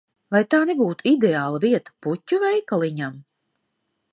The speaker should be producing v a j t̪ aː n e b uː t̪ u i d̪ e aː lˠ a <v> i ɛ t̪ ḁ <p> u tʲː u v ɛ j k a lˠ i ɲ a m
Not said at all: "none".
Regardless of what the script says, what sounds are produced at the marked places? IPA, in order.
v, p

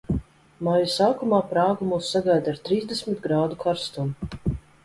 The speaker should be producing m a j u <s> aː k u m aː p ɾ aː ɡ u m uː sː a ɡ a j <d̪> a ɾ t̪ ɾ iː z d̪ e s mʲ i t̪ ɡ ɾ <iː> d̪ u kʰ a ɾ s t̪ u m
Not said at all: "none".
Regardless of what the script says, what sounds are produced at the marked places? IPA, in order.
s, d̪, aː

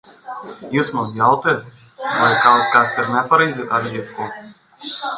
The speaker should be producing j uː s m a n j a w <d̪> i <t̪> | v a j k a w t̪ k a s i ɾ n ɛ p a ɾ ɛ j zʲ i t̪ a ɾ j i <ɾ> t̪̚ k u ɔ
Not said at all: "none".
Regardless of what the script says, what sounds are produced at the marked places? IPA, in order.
t̪, t̪, none

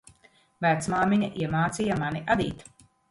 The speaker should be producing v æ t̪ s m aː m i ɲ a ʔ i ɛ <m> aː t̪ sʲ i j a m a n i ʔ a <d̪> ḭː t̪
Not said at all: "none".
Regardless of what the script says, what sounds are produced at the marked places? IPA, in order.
m, d̪

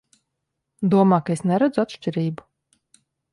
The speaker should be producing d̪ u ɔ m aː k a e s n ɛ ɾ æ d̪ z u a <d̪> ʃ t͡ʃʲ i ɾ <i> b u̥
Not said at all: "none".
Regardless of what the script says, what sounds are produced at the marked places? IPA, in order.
t̪, iː

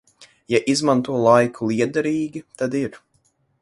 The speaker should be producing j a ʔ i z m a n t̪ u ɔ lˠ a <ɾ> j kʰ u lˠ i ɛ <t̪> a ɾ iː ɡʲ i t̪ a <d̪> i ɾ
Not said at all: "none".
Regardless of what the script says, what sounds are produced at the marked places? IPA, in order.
none, d̪, d̪

